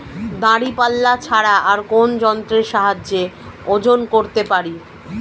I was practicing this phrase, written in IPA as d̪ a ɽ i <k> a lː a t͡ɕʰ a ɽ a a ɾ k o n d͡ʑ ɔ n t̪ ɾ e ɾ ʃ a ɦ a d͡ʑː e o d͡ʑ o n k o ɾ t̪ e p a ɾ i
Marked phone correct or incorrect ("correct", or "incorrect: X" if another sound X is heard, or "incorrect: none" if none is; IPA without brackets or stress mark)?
incorrect: p